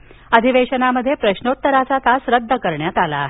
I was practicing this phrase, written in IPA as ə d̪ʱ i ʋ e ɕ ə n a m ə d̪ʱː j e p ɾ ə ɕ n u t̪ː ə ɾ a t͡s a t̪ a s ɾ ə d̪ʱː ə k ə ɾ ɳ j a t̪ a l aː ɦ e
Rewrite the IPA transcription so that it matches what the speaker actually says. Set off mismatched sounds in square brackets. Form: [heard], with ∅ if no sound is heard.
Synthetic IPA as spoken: ə d̪ʱ i ʋ e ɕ ə n a m ə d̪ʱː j e p ɾ ə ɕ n [o] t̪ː ə ɾ a t͡s a t̪ a s ɾ ə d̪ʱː ə k ə ɾ ɳ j a t̪ a l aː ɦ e